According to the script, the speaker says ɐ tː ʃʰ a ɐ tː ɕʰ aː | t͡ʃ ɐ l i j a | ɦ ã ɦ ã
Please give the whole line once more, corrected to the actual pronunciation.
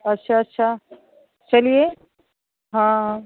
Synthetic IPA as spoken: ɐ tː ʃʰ a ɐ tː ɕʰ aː | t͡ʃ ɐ l i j e | ɦ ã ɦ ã

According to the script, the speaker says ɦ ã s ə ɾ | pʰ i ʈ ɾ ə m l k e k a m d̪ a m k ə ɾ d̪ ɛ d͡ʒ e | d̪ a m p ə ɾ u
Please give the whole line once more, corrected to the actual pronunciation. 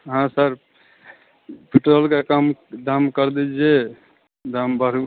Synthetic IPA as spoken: ɦ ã s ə ɾ | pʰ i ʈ ɾ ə l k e k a m d̪ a m k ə ɾ d̪ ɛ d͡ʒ e | d̪ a m b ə ɾ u

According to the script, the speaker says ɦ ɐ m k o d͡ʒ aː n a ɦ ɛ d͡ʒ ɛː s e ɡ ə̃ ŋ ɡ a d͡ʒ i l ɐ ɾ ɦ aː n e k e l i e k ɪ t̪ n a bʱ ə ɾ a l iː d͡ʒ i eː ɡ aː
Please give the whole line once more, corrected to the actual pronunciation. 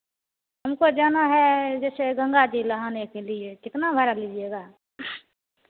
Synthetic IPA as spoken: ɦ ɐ m k o d͡ʒ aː n a ɦ ɛ d͡ʒ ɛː s e ɡ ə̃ ŋ ɡ a d͡ʒ i l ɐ ɦ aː n e k e l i e k ɪ t̪ n a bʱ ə ɾ a l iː d͡ʒ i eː ɡ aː

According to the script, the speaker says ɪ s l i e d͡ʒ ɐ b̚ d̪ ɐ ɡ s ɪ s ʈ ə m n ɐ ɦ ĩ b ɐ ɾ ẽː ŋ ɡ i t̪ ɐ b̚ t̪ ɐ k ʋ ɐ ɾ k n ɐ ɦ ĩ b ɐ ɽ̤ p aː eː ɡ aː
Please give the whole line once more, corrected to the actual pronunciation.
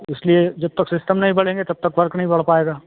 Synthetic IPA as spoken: ɪ s l i e d͡ʒ ɐ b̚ t̪ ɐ k s ɪ s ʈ ə m n ɐ ɦ ĩ b ɐ ɽ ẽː ŋ ɡ e t̪ ɐ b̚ t̪ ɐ k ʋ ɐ ɾ k n ɐ ɦ ĩ b ɐ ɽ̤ p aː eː ɡ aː

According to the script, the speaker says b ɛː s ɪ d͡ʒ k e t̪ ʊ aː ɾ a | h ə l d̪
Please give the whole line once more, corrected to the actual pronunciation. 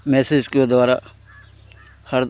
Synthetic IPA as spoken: m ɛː s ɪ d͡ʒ k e d̪ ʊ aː ɾ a | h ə ɾ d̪

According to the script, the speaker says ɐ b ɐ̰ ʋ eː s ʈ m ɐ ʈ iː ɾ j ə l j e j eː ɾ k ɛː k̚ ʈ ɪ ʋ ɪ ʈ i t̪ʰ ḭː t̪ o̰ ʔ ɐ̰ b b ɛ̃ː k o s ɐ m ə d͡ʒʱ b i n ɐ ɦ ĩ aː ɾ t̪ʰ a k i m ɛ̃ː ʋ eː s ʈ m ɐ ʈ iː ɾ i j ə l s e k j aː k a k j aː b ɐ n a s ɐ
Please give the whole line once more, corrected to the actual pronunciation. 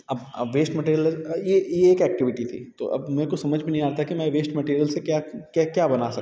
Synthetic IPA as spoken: ɐ b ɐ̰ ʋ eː s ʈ m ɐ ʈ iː ɾ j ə l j e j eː k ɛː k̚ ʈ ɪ ʋ ɪ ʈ i t̪ʰ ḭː t̪ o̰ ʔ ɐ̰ b m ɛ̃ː k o s ɐ m ə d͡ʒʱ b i n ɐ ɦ ĩ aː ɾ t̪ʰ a k i m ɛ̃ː ʋ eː s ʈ m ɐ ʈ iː ɾ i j ə l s e k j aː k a k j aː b ɐ n a s ɐ

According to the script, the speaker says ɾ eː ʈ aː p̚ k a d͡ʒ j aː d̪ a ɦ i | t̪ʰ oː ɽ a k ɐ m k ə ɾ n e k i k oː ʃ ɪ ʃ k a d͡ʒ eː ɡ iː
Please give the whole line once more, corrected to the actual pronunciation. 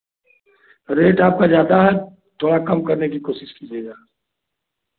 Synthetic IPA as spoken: ɾ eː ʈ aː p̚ k a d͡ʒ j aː d̪ a ɦ ɛ | t̪ʰ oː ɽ a k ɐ m k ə ɾ n e k i k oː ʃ ɪ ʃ k i d͡ʒ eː ɡ aː

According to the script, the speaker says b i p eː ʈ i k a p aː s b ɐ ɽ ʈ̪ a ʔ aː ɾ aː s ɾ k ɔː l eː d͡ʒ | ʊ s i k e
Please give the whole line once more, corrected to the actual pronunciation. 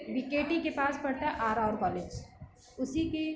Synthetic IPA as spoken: b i k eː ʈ i k e p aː s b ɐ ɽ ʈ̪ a ʔ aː ɾ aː ɾ k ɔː l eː d͡ʒ | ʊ s i k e

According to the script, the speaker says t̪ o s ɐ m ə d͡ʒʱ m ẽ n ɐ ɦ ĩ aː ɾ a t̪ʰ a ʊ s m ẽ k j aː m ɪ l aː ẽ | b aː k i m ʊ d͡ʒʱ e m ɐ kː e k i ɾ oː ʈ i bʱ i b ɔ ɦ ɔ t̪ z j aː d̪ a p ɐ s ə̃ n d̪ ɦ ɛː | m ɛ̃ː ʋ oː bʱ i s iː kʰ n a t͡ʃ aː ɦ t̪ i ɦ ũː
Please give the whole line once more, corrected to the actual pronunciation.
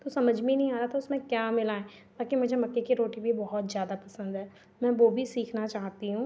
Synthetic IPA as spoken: t̪ o s ɐ m ə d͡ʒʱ m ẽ n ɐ ɦ ĩ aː ɾ a t̪ʰ a ʊ s m ẽ k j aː m ɪ l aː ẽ | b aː k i m ʊ d͡ʒʱ e m ɐ kː e k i ɾ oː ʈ i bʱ i b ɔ ɦ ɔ t̪ z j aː d̪ a p ɐ s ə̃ n d̪ ɦ ɛː | m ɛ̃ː ʋ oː bʱ i s iː kʰ n a t͡ʃ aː ɦ t̪ i ɦ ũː

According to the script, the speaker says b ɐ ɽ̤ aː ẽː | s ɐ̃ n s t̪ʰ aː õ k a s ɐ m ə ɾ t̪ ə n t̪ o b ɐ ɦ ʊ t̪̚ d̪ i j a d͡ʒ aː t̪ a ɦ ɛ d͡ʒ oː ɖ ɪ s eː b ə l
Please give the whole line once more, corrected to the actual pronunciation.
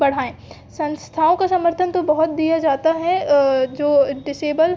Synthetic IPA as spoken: b ɐ ɽ̤ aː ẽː | s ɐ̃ n s t̪ʰ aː õ k a s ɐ m ə ɾ t̪ʰ ə n t̪ o b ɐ ɦ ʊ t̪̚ d̪ i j a d͡ʒ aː t̪ a ɦ ɛ d͡ʒ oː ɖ ɪ s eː b ə l

